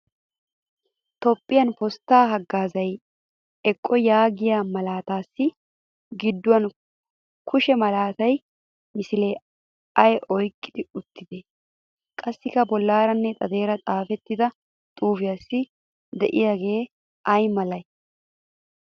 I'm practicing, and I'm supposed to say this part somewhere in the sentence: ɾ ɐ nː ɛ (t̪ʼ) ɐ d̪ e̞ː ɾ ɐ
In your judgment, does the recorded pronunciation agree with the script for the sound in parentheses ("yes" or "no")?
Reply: yes